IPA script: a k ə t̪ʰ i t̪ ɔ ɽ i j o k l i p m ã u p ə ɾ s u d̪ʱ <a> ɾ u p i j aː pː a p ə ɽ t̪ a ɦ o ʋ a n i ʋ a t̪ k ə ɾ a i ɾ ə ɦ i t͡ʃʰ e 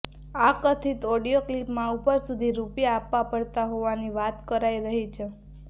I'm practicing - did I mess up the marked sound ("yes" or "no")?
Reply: yes